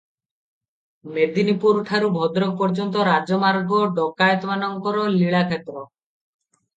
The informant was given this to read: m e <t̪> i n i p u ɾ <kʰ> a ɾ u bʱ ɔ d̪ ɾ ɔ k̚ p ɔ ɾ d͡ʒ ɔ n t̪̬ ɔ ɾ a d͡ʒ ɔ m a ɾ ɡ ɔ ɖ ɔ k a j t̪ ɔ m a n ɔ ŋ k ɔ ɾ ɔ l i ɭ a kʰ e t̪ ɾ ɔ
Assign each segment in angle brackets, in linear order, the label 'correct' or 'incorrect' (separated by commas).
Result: incorrect, incorrect